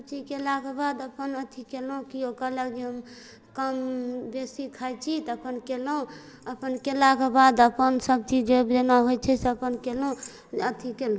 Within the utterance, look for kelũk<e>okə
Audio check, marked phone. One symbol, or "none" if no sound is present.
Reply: i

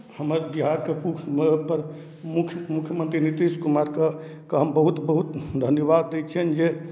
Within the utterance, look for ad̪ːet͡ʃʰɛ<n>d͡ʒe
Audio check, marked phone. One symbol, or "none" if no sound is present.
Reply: n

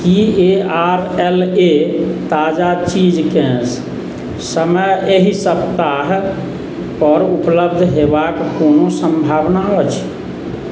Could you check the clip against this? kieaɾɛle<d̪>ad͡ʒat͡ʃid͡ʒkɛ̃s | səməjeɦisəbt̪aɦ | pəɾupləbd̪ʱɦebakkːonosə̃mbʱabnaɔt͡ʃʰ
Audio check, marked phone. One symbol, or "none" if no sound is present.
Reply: t̪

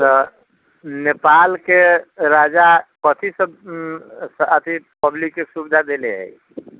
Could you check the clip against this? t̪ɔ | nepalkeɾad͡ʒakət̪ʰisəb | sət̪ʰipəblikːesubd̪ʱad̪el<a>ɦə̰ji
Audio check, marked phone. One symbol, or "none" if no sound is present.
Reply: e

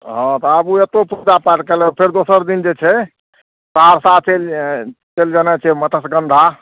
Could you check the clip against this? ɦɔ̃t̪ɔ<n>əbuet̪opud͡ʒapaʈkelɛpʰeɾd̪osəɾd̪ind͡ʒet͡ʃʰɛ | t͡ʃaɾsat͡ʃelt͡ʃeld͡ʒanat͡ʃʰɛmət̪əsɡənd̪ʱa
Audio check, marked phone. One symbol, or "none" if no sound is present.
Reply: none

